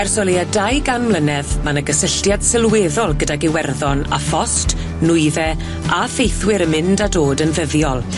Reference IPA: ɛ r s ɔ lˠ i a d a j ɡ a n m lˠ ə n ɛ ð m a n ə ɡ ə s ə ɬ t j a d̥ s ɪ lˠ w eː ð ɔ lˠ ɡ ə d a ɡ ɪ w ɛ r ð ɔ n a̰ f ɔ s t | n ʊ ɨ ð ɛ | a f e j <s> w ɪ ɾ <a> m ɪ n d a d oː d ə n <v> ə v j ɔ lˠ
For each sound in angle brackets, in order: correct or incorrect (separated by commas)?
incorrect, incorrect, correct